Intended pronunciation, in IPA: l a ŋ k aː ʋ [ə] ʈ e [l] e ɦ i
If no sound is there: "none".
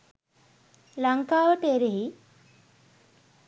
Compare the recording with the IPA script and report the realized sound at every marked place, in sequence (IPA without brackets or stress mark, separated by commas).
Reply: ə, ɾ